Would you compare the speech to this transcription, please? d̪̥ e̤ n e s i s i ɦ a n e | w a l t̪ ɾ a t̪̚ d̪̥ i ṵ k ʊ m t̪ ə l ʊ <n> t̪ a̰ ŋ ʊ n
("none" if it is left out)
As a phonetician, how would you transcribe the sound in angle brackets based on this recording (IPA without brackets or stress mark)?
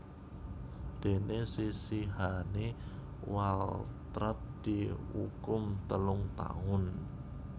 ŋ